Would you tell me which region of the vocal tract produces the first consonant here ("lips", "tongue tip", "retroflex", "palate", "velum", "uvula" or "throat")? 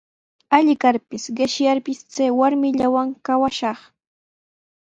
palate